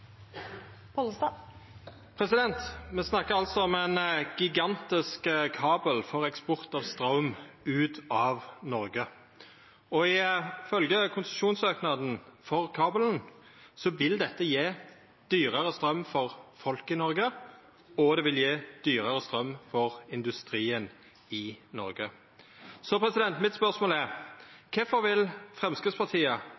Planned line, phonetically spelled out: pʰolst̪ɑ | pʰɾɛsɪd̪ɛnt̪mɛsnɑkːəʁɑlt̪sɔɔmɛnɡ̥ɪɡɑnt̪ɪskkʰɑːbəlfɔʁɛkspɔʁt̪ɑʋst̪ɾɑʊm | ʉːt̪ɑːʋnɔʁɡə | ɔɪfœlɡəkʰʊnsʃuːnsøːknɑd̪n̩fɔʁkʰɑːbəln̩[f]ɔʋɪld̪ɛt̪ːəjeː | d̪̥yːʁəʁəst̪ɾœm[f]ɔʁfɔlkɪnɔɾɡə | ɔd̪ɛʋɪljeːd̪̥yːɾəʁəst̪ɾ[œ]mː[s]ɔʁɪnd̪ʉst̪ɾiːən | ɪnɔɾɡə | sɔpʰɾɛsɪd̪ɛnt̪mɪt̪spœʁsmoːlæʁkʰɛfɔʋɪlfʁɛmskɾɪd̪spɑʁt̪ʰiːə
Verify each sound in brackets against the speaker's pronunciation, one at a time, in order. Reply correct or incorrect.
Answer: incorrect: s, correct, correct, incorrect: f

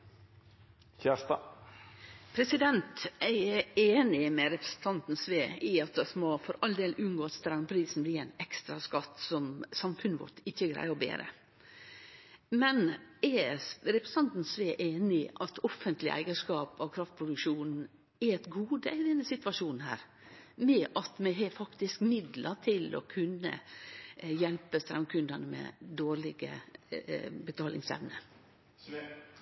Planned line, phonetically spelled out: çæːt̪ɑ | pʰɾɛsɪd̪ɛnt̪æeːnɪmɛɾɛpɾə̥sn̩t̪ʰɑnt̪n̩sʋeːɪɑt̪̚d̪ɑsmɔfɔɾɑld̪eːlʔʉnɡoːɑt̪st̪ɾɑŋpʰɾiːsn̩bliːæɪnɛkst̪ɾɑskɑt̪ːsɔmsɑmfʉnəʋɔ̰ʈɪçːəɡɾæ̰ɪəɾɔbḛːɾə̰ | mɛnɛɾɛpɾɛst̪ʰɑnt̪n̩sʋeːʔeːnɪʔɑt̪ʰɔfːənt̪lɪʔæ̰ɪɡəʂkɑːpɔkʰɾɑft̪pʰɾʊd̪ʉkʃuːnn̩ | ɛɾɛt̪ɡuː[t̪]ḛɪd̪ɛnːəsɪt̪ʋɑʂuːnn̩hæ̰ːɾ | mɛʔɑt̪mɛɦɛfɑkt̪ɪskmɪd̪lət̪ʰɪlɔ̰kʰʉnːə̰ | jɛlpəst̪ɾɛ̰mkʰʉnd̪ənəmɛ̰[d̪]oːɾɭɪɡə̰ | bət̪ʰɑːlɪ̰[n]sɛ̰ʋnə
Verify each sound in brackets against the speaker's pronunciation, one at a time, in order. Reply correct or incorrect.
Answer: incorrect: d̪, correct, incorrect: ŋ

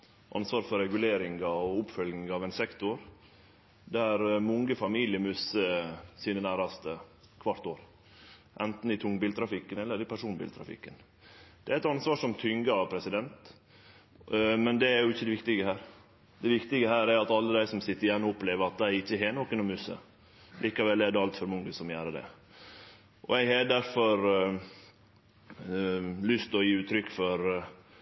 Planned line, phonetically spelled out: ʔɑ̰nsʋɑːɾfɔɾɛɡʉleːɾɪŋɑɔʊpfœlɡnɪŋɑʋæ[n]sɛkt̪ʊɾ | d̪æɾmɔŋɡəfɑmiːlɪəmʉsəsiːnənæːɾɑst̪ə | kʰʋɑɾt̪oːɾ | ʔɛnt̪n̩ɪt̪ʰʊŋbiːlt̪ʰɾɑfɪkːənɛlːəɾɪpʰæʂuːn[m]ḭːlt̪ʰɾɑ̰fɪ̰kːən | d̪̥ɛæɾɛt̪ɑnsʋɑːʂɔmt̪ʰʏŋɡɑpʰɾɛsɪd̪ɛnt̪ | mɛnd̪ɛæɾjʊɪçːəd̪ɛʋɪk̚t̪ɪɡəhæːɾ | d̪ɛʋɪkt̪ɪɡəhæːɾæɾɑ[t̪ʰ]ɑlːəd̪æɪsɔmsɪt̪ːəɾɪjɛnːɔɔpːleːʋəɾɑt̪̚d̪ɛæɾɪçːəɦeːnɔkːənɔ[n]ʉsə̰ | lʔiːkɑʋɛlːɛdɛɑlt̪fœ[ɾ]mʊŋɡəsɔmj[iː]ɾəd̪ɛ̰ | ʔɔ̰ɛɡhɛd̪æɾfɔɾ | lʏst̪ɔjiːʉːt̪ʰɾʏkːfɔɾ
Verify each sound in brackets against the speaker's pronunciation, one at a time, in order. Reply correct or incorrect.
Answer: correct, incorrect: b, incorrect: t̪, incorrect: m, correct, incorrect: æː

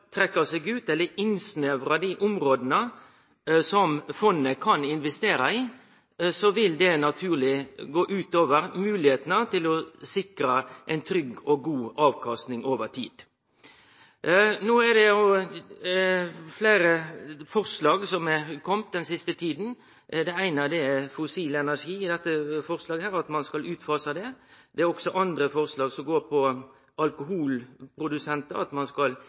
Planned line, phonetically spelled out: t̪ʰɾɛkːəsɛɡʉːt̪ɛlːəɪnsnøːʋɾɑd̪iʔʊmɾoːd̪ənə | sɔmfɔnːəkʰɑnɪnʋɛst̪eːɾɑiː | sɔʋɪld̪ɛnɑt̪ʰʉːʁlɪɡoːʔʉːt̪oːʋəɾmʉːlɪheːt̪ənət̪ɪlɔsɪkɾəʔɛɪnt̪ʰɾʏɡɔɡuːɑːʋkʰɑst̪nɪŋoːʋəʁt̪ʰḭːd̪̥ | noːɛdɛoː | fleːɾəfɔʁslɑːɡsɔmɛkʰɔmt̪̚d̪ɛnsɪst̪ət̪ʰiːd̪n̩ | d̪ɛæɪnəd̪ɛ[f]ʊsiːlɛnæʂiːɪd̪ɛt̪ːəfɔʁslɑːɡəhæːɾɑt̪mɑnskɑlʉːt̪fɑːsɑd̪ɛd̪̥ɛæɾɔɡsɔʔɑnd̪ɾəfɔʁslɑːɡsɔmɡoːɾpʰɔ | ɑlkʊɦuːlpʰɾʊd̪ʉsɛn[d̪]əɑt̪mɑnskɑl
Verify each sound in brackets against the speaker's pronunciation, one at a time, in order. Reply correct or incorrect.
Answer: correct, incorrect: t̪

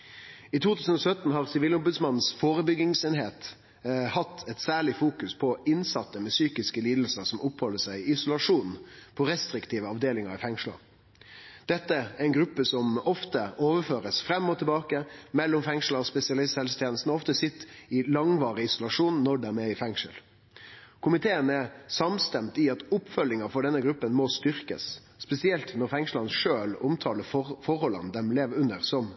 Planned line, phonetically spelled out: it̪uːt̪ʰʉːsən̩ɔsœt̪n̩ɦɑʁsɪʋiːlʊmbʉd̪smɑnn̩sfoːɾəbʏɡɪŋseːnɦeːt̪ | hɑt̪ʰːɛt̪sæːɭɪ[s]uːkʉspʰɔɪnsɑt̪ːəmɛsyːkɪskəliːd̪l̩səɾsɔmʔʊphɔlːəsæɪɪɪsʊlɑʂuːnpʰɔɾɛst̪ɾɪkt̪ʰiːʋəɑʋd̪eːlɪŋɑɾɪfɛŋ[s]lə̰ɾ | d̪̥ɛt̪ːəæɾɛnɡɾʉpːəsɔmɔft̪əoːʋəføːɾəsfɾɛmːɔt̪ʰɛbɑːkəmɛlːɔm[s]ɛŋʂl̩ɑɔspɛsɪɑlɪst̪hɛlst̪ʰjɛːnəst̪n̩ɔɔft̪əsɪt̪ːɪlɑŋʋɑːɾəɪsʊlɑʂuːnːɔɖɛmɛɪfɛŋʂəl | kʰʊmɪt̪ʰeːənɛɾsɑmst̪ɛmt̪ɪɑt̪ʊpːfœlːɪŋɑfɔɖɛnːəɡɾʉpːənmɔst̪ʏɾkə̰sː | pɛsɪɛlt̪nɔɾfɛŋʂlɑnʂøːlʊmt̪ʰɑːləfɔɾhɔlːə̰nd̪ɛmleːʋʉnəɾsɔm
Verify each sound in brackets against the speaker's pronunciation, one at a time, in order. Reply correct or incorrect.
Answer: incorrect: f, incorrect: ʂ, incorrect: f

